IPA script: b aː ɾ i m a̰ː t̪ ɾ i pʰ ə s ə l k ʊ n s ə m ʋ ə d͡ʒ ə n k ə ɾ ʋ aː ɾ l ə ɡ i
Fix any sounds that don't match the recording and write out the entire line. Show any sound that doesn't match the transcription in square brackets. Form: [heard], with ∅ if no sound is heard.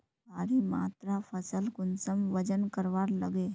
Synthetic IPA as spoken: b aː ɾ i m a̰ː t̪ ɾ [a] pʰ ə s ə l k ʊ n s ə m ʋ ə d͡ʒ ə n k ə ɾ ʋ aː ɾ l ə ɡ [e]